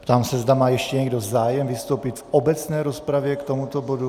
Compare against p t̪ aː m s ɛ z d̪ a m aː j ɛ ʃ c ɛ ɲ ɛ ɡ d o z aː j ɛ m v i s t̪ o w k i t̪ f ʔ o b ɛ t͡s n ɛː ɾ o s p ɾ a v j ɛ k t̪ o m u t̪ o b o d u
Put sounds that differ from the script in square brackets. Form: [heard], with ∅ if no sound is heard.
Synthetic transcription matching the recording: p t̪ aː m s ɛ z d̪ a m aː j ɛ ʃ c ɛ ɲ ɛ ɡ d o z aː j ɛ m v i s t̪ o w [p] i t̪ f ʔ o b ɛ t͡s n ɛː ɾ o s p ɾ a v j ɛ k t̪ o m u t̪ o b o d u